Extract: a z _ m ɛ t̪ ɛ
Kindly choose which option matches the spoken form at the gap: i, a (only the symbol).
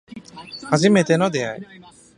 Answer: i